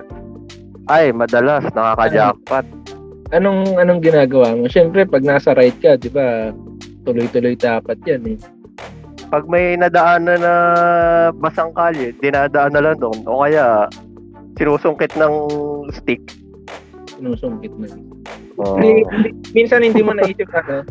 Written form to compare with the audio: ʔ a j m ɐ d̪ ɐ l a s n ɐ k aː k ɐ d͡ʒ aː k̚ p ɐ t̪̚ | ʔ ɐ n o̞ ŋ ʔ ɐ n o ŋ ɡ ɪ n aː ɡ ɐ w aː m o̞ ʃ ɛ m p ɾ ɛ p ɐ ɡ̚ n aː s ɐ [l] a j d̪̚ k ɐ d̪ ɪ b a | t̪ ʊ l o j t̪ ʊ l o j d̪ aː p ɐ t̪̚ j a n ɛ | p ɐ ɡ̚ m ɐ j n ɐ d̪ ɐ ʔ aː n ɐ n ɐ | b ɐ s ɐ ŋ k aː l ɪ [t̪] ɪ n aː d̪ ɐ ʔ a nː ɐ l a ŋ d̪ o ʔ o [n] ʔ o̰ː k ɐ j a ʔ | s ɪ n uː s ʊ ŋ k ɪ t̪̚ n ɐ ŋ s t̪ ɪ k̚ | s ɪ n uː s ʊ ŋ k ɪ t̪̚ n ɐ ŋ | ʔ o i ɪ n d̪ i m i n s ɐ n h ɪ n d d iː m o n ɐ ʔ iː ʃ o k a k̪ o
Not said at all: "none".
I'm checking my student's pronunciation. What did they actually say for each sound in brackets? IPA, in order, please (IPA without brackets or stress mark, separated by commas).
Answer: ɾ, d̪, n